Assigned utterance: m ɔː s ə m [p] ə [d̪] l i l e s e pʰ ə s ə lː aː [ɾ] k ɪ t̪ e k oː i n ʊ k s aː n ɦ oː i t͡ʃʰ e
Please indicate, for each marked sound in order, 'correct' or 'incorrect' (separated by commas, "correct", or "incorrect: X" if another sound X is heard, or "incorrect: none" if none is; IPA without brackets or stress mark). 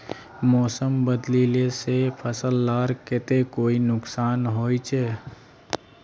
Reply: incorrect: b, correct, correct